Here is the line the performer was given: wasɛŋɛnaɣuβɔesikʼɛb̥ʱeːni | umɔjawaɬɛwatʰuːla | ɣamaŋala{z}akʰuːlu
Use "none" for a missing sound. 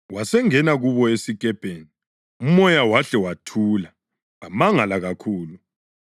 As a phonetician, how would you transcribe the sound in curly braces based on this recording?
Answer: ɣ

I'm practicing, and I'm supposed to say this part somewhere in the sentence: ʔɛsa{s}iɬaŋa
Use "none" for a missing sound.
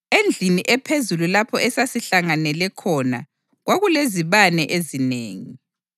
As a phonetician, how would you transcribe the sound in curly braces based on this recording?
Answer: s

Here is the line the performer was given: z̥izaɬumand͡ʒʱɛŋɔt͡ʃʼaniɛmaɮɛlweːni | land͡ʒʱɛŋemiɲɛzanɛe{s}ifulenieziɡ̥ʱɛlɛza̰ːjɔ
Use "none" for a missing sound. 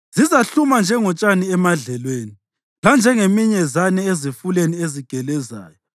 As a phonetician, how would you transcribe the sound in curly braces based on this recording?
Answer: z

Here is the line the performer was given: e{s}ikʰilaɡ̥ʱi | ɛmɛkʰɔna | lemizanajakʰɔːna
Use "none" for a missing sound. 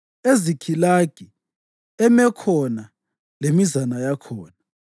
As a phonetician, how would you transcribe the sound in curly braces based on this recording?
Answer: z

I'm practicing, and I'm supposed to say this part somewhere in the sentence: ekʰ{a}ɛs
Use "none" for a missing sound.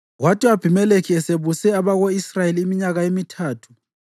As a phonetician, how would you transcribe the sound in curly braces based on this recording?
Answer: i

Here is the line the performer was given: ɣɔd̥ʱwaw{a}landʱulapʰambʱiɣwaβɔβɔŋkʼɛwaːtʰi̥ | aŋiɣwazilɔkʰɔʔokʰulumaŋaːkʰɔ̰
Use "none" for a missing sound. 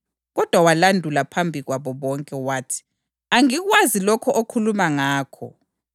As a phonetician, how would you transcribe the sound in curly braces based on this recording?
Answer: a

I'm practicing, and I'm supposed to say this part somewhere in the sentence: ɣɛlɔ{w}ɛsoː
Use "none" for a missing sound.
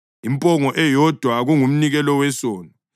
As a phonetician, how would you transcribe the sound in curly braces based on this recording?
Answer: w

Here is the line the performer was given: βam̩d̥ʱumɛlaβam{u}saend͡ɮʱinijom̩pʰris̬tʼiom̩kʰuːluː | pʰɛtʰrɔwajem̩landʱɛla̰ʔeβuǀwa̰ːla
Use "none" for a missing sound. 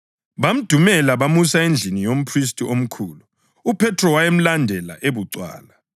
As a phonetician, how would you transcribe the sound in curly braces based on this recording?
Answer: u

